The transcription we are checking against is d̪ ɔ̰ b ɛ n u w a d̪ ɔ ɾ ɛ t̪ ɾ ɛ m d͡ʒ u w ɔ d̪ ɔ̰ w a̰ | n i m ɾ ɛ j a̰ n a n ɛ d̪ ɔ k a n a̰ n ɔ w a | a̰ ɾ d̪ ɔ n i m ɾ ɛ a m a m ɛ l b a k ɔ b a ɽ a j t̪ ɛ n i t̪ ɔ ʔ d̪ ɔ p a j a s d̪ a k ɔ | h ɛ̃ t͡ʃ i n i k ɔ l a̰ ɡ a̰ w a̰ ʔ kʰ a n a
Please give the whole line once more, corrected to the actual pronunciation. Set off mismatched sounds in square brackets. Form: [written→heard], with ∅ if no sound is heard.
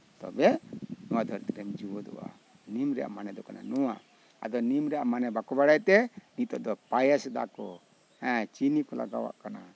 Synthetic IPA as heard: [d̪→t̪] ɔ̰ b ɛ n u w a d̪ ɔ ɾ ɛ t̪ ɾ ɛ m d͡ʒ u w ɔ d̪ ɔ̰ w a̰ | n i m ɾ ɛ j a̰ [n→m] a n ɛ d̪ ɔ k a n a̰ n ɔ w a | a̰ [ɾ→∅] d̪ ɔ n i m ɾ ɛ a m a [m→n] ɛ [l→∅] b a k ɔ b a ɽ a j t̪ ɛ n i t̪ ɔ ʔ d̪ ɔ p a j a s d̪ a k ɔ | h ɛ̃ t͡ʃ i n i k ɔ l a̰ ɡ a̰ w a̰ ʔ [kʰ→k] a n a